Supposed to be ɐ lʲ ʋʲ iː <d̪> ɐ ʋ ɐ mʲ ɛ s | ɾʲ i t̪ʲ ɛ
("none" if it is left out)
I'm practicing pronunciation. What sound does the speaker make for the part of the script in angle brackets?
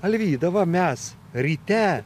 d̪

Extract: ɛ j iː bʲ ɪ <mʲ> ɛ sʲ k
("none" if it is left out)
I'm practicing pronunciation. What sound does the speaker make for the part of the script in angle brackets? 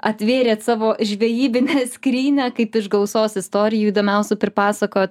nʲ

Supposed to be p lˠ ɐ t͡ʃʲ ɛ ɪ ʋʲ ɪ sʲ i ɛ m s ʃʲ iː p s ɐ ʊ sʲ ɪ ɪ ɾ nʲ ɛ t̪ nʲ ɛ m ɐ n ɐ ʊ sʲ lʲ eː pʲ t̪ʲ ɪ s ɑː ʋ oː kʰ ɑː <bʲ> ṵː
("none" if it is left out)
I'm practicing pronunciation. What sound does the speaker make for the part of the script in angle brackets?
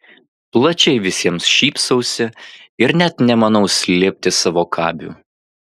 bʲ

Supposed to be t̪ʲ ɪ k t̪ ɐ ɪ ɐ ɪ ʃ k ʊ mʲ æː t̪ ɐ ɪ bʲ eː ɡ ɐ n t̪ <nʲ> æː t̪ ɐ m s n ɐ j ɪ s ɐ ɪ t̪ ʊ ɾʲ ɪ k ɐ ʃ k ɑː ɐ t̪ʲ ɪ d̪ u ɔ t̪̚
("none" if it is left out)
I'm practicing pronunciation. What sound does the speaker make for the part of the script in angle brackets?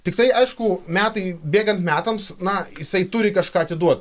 mʲ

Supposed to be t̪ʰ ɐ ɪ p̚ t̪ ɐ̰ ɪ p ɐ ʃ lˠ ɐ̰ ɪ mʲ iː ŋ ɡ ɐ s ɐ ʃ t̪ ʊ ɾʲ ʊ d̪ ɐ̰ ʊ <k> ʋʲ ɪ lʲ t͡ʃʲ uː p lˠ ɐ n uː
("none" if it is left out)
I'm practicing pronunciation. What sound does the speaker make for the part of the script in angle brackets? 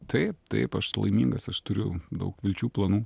k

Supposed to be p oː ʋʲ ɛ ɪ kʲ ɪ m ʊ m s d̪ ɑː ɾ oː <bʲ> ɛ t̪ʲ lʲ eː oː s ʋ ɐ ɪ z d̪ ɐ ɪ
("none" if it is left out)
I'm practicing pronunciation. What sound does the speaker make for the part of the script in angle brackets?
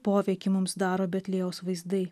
bʲ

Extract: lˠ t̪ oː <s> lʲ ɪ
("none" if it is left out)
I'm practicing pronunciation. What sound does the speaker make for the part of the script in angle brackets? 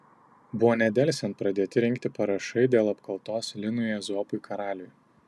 s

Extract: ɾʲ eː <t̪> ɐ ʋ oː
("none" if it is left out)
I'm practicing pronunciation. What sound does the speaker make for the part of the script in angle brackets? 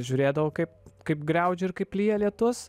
d̪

